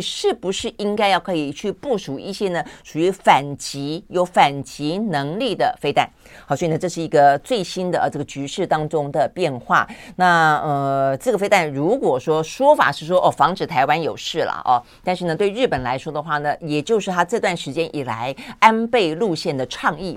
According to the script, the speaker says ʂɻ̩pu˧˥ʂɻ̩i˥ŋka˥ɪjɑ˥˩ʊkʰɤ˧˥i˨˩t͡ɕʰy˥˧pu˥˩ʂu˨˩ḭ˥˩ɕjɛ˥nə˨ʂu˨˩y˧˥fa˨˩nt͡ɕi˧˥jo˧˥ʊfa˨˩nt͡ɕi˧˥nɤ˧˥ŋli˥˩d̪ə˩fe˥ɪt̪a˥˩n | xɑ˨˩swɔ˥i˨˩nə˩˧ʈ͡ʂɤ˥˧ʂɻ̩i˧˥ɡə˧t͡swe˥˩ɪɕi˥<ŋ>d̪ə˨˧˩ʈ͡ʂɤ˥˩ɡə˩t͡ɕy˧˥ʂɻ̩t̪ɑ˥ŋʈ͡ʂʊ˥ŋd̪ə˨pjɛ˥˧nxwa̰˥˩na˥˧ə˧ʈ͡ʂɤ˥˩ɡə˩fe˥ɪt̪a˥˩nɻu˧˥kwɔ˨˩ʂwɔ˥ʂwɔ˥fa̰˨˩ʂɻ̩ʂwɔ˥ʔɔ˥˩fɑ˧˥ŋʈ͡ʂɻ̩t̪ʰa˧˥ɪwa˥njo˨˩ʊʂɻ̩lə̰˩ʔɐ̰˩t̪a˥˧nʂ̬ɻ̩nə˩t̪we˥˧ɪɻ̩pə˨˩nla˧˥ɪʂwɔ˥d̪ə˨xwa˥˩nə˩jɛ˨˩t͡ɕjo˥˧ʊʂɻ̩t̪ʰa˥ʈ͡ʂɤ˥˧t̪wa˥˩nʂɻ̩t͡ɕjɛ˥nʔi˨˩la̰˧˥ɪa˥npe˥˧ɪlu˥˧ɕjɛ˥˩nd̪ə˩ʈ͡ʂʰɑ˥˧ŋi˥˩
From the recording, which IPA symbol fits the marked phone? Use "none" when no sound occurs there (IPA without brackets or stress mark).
n